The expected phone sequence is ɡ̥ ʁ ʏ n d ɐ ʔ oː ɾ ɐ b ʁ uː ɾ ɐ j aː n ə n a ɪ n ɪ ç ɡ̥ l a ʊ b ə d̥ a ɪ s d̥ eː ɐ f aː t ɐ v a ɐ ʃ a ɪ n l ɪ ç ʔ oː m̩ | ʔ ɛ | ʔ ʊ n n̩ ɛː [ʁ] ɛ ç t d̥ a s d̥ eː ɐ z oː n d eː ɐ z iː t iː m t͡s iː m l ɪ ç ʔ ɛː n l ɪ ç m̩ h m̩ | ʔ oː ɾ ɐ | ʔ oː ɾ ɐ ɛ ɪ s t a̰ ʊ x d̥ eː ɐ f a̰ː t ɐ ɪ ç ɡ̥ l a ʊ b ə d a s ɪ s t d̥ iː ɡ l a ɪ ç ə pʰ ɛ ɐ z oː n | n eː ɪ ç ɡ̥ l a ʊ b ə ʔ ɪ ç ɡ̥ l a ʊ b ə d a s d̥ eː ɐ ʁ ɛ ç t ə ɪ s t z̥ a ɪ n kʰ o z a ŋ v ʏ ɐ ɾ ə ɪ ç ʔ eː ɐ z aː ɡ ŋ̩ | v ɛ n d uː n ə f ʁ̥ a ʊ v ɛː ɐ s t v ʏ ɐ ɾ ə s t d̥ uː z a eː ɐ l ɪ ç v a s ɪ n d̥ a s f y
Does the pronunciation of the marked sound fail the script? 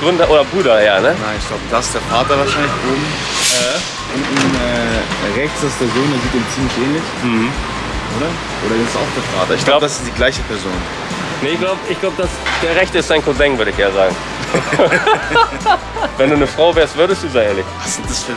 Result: no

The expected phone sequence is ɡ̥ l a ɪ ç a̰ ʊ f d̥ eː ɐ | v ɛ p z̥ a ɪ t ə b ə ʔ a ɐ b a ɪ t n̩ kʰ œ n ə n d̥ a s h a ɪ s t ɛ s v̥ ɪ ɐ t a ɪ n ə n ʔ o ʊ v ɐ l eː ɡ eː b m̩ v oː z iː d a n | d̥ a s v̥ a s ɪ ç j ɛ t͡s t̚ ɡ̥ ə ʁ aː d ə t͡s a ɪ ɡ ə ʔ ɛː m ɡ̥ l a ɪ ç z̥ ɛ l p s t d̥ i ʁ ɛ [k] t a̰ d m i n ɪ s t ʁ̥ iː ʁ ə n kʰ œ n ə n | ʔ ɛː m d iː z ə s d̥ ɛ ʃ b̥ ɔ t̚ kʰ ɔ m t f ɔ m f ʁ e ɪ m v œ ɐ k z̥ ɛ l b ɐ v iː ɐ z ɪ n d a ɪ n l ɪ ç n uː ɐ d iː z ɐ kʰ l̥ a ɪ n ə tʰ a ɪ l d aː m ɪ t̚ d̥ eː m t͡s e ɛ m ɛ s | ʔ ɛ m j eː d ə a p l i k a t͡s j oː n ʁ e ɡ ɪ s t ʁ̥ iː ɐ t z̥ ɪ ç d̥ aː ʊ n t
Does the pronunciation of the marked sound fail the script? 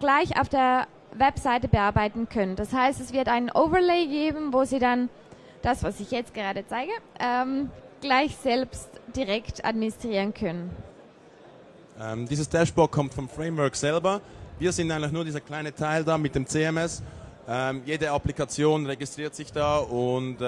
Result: no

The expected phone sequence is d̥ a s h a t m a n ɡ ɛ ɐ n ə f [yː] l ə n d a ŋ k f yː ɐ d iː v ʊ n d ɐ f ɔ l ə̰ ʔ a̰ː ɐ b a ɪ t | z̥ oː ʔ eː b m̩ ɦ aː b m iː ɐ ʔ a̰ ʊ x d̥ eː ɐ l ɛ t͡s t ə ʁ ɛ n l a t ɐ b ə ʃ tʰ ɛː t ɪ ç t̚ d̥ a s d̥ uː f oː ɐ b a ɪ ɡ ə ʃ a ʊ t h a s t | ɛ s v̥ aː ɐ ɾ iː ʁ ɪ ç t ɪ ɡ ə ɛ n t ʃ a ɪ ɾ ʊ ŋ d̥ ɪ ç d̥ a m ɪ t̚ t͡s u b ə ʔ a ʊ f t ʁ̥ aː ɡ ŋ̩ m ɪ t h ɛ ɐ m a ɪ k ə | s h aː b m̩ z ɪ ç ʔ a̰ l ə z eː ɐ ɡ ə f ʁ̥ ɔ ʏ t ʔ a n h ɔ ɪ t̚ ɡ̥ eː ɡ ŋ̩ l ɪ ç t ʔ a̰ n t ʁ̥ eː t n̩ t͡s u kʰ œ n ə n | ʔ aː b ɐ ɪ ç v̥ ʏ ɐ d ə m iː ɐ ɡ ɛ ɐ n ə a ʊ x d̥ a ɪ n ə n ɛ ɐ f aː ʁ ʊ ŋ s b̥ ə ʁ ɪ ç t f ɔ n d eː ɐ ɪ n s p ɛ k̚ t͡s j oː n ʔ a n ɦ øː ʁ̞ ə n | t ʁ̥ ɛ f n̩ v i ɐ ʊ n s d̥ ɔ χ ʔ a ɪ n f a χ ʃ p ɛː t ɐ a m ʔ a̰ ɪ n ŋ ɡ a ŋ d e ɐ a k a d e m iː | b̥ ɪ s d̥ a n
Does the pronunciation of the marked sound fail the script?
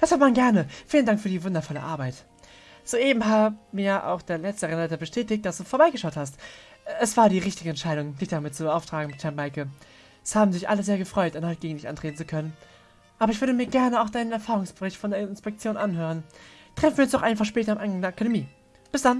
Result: yes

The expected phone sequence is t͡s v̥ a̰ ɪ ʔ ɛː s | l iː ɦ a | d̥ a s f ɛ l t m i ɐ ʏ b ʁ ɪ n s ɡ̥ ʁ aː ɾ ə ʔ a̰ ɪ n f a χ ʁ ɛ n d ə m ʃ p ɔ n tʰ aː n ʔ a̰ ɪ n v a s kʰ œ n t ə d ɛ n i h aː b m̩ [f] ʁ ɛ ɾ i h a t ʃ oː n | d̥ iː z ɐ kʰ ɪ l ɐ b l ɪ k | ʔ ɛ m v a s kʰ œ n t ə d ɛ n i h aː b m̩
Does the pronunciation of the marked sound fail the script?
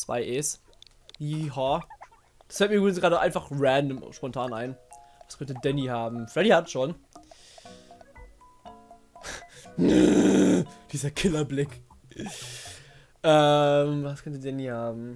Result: no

